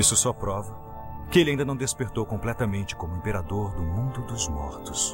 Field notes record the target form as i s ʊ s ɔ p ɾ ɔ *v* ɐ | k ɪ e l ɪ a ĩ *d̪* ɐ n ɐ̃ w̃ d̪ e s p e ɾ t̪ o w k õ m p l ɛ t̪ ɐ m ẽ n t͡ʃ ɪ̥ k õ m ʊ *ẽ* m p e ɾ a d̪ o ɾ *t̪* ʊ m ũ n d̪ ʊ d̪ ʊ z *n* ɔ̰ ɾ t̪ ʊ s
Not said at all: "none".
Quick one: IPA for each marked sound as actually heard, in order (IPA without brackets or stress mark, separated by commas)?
v, d̪, ẽ, d̪, m